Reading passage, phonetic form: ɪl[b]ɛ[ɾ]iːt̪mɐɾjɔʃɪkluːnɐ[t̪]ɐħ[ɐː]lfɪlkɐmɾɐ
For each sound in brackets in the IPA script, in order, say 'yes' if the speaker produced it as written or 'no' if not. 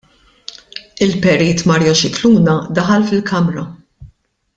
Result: no, yes, no, no

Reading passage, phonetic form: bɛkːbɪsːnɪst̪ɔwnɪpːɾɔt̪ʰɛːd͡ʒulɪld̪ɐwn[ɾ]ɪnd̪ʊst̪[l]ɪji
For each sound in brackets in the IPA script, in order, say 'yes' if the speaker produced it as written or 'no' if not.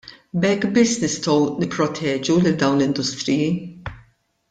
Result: no, no

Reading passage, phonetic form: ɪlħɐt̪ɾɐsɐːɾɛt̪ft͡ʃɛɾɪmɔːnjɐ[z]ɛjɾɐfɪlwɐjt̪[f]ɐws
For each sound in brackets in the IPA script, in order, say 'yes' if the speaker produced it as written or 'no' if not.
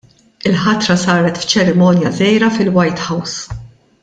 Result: yes, no

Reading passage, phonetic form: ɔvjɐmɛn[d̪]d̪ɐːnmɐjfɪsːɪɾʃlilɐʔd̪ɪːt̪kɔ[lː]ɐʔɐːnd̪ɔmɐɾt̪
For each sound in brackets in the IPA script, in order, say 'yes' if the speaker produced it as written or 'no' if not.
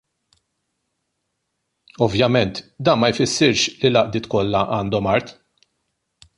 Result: no, yes

